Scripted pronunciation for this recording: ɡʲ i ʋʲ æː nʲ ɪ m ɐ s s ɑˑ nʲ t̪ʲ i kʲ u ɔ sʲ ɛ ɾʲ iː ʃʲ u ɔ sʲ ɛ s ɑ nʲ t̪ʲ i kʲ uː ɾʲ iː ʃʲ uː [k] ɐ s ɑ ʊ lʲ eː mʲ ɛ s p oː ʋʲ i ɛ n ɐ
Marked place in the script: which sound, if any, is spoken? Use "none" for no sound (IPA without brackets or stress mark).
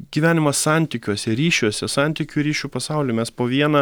p